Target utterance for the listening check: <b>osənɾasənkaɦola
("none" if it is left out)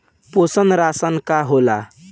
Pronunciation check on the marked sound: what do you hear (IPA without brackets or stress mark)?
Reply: p